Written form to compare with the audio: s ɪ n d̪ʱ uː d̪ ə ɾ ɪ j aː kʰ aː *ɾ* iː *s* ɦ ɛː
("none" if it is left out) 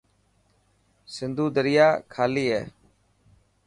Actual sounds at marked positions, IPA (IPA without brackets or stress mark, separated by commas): l, none